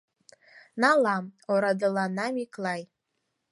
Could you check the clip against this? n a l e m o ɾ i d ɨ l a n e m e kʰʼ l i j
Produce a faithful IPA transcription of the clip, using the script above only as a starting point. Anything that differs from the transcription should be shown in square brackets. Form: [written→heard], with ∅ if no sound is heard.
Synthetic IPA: n a l [e→a] m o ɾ [i→a] d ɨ l a n [e→a] m [e→i] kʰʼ l [i→a] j